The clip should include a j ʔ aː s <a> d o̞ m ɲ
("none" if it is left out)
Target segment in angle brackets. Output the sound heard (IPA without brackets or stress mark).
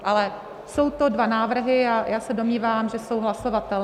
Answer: ɛ